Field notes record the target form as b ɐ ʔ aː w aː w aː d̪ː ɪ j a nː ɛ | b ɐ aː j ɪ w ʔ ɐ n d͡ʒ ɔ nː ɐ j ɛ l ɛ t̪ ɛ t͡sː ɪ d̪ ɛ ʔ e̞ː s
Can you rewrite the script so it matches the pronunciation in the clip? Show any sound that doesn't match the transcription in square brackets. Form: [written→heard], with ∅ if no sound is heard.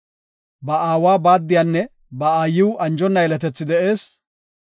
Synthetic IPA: b ɐ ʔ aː w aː [w→b] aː d̪ː ɪ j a nː ɛ | b ɐ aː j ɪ w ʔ ɐ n d͡ʒ ɔ nː ɐ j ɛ l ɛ t̪ ɛ t͡sː ɪ d̪ ɛ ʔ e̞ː s